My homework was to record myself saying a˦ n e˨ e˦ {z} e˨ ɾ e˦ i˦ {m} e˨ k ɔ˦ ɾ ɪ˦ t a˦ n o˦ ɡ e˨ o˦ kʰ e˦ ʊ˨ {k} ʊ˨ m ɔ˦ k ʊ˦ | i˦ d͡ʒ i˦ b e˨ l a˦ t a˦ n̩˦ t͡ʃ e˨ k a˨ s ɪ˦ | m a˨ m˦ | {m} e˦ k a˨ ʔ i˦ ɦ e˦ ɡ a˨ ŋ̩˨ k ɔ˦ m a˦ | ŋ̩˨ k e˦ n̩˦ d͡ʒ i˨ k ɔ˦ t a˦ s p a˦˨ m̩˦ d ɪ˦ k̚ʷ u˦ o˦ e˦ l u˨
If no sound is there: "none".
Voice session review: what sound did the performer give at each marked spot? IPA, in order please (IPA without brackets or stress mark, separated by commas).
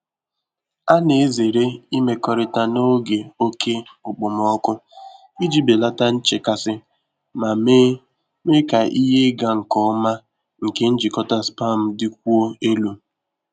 z, m, k͡p, m